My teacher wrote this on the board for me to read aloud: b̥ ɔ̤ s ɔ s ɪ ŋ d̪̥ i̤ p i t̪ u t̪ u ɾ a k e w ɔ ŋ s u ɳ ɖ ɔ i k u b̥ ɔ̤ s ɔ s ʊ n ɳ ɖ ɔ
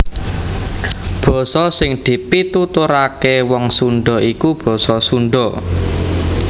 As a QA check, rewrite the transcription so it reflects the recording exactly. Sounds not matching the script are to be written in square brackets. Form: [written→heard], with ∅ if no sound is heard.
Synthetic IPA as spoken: b̥ ɔ̤ s ɔ s ɪ ŋ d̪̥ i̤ p i t̪ u t̪ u ɾ a k e w ɔ ŋ s u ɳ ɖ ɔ i k u b̥ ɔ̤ s ɔ s [ʊ→u] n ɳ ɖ ɔ